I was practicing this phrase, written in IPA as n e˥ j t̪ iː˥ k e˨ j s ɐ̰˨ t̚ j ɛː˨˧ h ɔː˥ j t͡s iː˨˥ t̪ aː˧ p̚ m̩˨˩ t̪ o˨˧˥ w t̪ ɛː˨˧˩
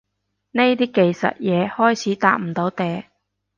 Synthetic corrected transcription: n e˥ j t̪ iː˥ k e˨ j s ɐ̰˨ t̚ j ɛː˨˧ h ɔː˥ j t͡sʰ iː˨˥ t̪ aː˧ k̚ m̩˨˩ t̪ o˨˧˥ w t̪ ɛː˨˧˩